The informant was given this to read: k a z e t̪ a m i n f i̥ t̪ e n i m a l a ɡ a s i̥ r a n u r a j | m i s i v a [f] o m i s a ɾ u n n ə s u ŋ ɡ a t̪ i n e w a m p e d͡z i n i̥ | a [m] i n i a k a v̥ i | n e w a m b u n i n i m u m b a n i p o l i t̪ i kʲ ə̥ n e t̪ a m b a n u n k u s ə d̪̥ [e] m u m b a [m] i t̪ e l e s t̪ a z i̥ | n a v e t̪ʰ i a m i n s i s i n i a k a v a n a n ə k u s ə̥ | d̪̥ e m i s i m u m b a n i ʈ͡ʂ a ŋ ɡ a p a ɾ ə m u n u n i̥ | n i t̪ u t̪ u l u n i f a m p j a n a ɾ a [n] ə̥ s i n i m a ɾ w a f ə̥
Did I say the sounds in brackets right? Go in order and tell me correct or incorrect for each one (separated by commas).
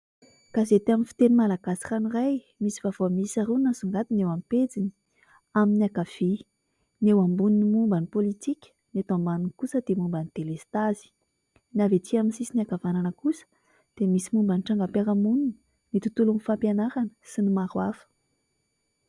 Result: incorrect, correct, correct, incorrect, correct